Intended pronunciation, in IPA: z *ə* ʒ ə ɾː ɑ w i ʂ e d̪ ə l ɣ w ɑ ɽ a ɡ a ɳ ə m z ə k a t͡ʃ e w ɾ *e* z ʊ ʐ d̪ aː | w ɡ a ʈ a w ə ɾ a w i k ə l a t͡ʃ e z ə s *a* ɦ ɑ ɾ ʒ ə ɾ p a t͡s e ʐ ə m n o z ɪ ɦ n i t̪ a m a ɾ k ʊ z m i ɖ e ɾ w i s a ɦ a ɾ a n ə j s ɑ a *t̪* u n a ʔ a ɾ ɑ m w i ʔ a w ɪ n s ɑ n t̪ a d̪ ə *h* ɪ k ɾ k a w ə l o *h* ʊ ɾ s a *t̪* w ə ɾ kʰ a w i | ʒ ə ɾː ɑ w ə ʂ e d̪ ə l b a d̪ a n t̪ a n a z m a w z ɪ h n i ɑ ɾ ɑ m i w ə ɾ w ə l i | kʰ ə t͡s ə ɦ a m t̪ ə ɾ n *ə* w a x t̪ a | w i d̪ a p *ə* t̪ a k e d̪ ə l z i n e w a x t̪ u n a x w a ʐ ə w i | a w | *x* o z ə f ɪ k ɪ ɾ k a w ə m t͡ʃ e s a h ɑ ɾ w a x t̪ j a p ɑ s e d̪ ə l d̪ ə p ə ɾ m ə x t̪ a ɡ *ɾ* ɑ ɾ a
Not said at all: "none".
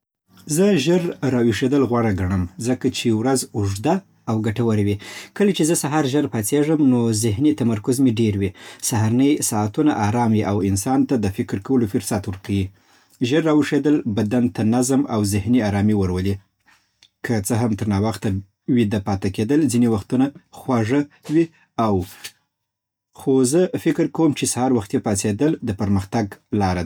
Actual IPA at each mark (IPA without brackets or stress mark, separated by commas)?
ə, a, a, t̪, f, f, t̪, ɑ, ɑ, x, l